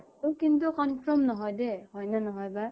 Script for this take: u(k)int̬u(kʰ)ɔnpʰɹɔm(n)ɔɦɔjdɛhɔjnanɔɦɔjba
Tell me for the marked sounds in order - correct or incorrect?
correct, incorrect: k, correct

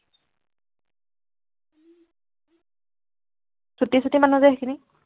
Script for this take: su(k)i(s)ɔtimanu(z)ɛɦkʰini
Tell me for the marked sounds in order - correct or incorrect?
incorrect: t, correct, correct

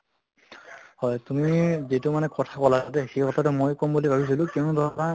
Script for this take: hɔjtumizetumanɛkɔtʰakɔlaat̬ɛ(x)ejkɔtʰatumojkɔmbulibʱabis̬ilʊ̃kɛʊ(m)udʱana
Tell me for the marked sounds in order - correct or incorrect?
correct, incorrect: n

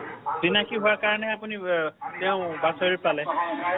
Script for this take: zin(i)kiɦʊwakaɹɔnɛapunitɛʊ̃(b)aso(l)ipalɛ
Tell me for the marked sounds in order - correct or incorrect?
incorrect: a, correct, incorrect: ɹ

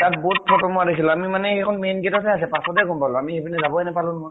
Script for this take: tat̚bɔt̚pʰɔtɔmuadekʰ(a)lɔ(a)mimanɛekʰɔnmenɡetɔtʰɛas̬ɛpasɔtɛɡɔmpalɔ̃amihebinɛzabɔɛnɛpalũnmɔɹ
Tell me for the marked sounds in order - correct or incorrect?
incorrect: i, correct

